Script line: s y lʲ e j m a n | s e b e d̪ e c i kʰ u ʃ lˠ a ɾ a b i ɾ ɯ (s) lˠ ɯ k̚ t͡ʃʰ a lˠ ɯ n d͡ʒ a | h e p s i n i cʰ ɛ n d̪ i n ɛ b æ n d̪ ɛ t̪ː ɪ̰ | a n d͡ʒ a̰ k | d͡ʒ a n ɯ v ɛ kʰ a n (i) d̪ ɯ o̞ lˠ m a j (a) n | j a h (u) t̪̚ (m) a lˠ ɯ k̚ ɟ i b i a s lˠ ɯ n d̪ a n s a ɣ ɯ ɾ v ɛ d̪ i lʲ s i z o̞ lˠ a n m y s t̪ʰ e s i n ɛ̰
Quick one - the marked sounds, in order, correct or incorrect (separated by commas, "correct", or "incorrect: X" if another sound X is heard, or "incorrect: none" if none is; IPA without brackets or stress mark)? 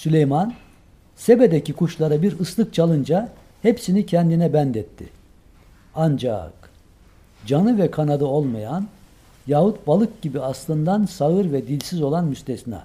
correct, incorrect: a, correct, correct, incorrect: b